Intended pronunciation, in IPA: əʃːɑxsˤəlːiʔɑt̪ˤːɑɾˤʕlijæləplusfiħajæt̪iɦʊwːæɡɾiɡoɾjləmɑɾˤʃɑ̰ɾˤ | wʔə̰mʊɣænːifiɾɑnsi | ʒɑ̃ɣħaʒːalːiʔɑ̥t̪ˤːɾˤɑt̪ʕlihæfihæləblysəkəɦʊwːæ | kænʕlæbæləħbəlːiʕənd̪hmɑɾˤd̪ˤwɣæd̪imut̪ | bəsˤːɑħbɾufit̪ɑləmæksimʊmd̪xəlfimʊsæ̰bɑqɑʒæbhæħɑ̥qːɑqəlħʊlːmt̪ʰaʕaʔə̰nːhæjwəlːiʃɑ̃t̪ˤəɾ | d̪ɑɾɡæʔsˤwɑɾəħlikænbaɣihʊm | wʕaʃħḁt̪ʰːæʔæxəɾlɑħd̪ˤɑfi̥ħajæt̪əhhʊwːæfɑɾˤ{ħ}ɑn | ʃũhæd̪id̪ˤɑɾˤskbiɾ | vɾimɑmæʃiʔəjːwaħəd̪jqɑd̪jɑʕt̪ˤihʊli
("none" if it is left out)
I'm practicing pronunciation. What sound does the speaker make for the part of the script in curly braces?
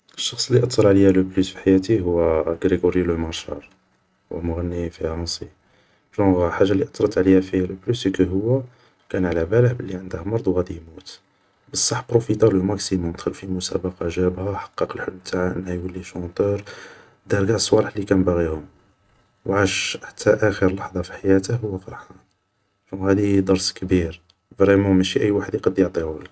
ħ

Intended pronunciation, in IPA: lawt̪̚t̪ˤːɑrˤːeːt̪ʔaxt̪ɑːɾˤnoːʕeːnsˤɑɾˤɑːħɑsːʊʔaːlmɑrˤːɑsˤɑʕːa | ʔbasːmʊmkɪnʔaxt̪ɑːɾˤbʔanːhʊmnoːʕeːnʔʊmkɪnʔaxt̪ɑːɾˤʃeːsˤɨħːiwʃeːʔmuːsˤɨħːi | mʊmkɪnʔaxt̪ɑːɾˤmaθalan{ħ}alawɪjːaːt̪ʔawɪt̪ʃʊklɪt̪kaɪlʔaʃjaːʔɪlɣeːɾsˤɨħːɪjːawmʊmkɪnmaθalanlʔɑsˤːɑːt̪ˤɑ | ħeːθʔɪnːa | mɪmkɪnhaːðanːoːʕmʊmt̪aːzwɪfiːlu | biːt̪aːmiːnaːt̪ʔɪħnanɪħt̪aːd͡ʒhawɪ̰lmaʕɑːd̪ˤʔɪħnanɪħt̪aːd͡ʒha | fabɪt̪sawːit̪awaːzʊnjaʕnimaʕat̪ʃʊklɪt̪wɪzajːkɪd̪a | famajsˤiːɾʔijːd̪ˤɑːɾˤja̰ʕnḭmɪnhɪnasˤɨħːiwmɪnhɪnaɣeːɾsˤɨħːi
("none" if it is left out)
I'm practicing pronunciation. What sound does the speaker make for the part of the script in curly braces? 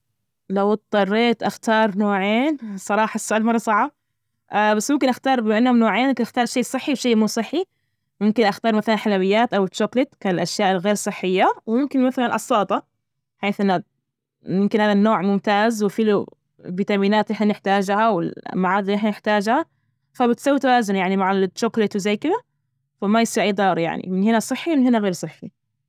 ħ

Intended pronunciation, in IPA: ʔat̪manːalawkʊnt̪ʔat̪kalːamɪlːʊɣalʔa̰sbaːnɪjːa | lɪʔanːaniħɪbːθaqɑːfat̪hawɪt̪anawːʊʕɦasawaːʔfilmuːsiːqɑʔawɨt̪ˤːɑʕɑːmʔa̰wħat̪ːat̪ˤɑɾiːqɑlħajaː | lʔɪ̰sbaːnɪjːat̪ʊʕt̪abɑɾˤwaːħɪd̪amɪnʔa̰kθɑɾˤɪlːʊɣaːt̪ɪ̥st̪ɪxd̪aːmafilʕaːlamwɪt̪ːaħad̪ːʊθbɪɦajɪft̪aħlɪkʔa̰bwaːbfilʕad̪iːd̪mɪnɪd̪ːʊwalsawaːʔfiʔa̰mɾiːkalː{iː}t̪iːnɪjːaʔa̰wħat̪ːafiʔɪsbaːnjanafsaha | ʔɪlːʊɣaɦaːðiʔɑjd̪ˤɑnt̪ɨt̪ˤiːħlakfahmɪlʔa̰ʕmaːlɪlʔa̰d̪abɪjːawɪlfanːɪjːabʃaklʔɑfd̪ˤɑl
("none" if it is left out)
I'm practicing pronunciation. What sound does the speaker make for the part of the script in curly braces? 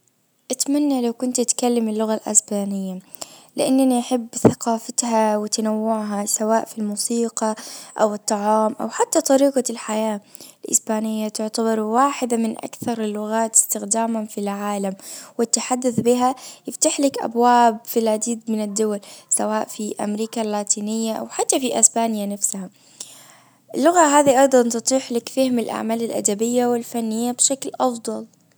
aː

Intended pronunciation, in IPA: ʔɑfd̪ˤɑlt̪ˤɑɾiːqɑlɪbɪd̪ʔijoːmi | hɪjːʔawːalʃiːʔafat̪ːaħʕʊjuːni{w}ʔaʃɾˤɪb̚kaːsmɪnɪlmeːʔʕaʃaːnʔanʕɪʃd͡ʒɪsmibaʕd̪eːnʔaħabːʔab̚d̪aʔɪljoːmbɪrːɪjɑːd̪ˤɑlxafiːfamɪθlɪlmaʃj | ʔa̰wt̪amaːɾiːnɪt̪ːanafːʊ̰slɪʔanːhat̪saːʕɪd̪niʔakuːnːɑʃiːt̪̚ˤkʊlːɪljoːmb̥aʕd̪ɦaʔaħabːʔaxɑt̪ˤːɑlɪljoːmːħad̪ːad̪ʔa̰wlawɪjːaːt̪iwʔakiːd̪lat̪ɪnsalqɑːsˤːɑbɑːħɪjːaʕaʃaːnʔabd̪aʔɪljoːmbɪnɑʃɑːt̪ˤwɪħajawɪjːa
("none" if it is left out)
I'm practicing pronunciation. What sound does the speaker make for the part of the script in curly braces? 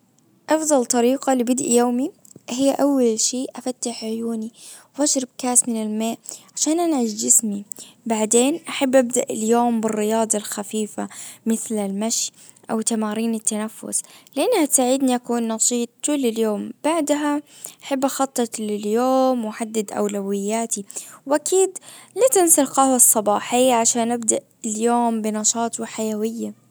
w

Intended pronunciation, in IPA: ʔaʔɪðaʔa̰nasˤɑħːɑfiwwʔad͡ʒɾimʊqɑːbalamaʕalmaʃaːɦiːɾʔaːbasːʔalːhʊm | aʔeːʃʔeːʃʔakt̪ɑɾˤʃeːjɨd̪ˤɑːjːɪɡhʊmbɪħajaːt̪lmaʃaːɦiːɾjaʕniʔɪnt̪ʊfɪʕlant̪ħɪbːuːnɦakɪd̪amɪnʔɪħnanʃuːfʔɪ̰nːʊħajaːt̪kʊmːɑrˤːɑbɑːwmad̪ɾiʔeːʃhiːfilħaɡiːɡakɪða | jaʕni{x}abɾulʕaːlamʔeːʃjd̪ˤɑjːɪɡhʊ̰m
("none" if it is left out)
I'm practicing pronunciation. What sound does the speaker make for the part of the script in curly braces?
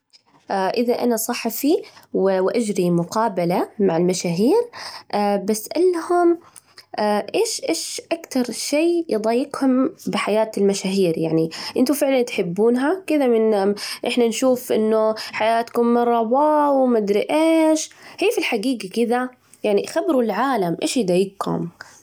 x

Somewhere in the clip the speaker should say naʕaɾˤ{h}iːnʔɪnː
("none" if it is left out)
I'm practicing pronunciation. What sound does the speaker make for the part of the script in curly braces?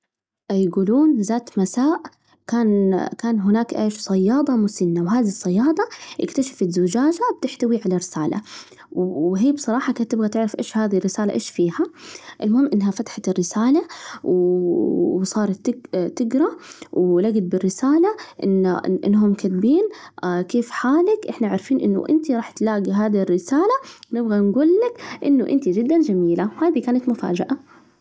f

